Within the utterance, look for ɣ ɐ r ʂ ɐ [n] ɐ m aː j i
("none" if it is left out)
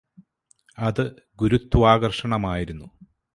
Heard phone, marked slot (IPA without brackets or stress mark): ɳ